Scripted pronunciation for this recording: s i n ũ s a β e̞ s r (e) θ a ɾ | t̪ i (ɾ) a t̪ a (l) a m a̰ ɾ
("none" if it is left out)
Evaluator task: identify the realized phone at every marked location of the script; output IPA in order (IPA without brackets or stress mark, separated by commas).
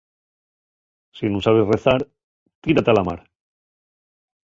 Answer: e, ɾ, l